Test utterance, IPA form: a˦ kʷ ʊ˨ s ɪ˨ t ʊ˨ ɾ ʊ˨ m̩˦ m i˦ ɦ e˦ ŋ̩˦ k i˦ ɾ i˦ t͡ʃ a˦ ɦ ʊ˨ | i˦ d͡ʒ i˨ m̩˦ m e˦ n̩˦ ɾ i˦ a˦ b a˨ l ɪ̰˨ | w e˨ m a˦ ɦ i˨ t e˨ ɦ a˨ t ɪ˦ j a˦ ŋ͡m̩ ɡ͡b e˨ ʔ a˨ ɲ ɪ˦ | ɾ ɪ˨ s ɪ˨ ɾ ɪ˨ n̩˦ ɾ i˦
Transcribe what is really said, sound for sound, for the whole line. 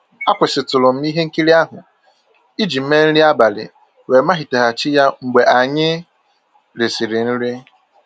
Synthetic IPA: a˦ kʷ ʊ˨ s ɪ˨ t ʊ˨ l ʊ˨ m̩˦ m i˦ ɦ e˦ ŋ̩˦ k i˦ ɾ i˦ a˦ ɦ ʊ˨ | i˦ d͡ʒ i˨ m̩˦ m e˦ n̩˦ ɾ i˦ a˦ b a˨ l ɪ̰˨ | w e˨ m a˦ ɦ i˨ t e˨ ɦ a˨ t͡ʃ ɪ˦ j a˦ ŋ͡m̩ ɡ͡b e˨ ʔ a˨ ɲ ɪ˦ | ɾ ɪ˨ s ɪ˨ ɾ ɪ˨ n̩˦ ɾ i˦